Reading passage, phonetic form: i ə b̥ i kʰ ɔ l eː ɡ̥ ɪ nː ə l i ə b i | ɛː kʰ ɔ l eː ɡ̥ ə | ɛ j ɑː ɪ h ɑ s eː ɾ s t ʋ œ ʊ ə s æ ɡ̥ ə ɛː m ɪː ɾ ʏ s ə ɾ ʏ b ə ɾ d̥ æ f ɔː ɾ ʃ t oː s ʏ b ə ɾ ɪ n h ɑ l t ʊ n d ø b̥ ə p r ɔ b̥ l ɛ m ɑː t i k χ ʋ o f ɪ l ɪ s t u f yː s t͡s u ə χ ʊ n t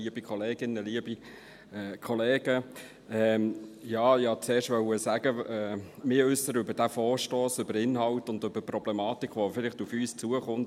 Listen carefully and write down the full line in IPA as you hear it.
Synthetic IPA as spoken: i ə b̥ i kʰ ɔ l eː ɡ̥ ɪ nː ə l i ə b i | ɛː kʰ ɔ l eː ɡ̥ ə | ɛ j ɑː ɪ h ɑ t͡s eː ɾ ʃ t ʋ œ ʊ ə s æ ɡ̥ ə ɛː m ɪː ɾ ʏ s ə ɾ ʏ b ə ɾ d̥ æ f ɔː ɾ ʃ t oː s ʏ b ə ɾ ɪ n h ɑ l t ʊ n d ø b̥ ə p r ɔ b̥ l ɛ m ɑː t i k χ ʋ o f ɪ l ɪ χ t u f yː s t͡s u ə χ ʊ n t